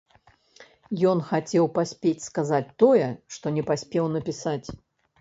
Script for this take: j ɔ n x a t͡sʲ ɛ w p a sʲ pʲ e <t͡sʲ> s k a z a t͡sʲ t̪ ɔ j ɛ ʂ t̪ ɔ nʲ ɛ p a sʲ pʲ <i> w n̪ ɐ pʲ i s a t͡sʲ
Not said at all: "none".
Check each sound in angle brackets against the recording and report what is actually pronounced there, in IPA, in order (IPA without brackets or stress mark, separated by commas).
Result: t͡sʲ, ɛ